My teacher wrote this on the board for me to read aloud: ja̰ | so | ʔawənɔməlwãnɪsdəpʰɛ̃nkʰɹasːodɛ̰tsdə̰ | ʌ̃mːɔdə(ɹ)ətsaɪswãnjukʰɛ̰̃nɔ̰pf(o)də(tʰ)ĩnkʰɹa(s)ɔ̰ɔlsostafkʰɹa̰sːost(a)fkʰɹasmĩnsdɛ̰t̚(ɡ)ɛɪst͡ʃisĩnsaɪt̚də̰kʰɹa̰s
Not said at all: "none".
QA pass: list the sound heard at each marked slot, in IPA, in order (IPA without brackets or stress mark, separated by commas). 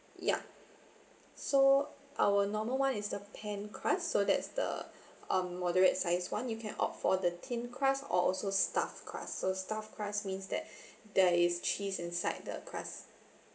ɹ, ɔ, tʰ, s, a, d